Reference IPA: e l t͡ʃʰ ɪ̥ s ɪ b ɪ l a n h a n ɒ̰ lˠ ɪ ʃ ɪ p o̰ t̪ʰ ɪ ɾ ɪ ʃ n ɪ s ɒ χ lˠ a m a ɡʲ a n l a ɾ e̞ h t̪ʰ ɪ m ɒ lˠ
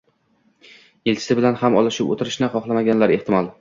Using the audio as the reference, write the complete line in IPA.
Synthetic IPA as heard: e l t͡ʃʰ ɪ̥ s ɪ b ɪ l a n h a m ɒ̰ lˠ ɪ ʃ ɪ p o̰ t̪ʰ ɪ ɾ ɪ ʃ n ɪ χ ɒ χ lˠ a m a ɡʲ a n l a ɾ e̞ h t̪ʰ ɪ m ɒ lˠ